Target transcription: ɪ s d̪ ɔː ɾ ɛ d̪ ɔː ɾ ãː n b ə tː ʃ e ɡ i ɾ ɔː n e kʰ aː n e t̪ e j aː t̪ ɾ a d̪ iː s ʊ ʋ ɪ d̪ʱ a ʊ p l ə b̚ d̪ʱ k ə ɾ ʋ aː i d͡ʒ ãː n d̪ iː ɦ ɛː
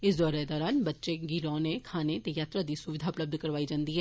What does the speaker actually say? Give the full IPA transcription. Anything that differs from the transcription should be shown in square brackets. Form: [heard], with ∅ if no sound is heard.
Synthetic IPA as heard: ɪ s d̪ ɔː ɾ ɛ d̪ ɔː ɾ [aː] n b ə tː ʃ e ɡ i ɾ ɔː n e kʰ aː n e t̪ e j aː t̪ ɾ a d̪ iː s ʊ ʋ ɪ d̪ʱ a ʊ p l ə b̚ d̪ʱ k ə ɾ ʋ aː i d͡ʒ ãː n d̪ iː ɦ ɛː